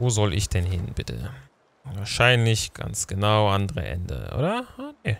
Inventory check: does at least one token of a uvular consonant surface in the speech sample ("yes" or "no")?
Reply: yes